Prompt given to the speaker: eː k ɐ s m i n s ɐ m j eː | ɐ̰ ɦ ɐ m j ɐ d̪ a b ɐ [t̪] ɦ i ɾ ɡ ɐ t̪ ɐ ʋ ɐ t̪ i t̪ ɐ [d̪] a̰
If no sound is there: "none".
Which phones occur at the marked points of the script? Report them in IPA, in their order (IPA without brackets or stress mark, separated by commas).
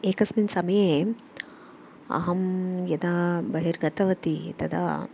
none, d̪